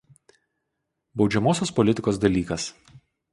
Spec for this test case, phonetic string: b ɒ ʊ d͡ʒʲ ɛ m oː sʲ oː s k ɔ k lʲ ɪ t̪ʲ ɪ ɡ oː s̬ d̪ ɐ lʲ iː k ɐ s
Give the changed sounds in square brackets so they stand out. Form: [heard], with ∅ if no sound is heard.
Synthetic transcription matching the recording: b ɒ ʊ d͡ʒʲ ɛ m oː sʲ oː s [p] ɔ [∅] lʲ ɪ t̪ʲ ɪ [k] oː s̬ d̪ ɐ lʲ iː k ɐ s